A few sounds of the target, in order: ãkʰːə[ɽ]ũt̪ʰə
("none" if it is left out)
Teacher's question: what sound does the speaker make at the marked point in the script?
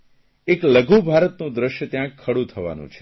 ɽ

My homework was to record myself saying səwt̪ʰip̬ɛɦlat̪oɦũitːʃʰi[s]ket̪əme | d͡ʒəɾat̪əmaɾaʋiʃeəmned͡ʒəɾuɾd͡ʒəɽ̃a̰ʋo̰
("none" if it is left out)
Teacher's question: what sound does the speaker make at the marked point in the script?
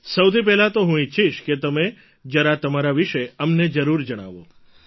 ʃ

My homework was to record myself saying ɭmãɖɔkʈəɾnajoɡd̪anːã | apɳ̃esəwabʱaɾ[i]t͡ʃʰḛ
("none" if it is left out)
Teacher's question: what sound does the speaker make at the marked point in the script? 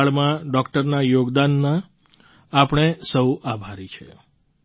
i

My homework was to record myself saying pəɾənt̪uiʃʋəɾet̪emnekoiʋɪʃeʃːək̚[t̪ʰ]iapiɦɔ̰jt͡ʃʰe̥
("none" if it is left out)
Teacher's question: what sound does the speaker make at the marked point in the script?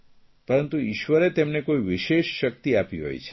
t̪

